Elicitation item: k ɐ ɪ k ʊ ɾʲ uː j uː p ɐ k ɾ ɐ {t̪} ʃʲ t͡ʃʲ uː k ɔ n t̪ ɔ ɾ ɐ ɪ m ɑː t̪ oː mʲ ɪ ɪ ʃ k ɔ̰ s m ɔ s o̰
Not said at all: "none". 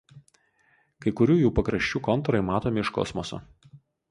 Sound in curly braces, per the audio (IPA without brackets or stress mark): none